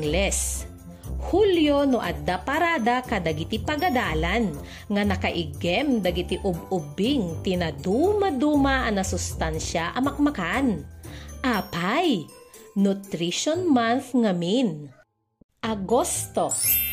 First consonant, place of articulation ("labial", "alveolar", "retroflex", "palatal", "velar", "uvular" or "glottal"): alveolar